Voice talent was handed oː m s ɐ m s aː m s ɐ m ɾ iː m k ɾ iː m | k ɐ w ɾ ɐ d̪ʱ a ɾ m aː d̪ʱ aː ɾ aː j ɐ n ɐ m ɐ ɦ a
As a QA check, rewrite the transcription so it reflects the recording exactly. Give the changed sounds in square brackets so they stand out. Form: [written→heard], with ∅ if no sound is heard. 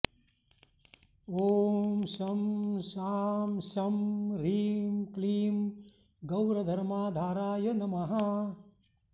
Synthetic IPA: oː m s ɐ m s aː m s ɐ m ɾ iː m k [ɾ→l] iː m | [k→ɡ] ɐ w ɾ ɐ d̪ʱ [a→ɐ] ɾ m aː d̪ʱ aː ɾ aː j ɐ n ɐ m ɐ ɦ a